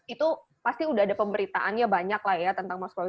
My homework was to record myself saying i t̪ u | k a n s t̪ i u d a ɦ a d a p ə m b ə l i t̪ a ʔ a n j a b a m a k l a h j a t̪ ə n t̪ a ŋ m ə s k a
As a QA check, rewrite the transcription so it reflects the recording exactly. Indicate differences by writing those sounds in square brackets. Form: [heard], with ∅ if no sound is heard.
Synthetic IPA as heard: i t̪ u | [p] a [∅] s t̪ i u d a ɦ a d a p ə m b ə [ɾ] i t̪ a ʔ a n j a b a [ɲ] a k l a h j a t̪ ə n t̪ a ŋ m [a] s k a